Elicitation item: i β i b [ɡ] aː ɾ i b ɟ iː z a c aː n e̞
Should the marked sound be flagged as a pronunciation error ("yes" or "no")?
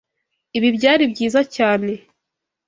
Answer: yes